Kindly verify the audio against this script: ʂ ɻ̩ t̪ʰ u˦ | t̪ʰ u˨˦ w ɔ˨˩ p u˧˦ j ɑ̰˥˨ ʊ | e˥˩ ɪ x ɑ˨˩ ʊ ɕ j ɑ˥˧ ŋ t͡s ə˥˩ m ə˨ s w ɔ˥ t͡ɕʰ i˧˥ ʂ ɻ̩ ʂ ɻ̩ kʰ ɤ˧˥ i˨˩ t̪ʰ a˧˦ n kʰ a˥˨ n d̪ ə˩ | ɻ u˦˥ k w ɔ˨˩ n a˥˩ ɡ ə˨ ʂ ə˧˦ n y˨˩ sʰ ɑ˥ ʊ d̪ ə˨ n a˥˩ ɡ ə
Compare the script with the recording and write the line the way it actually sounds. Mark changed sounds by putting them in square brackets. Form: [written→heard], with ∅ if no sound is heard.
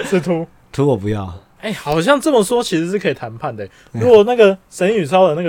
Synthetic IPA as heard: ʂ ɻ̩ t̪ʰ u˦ | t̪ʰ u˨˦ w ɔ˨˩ p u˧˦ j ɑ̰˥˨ ʊ | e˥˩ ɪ x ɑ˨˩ ʊ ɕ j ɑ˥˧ ŋ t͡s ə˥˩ m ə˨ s w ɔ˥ t͡ɕʰ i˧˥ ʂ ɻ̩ ʂ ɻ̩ kʰ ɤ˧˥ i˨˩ t̪ʰ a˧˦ n [kʰ→pʰ] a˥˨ n d̪ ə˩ | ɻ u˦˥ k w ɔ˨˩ n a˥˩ ɡ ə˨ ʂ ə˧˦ n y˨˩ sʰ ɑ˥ ʊ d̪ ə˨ n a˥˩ ɡ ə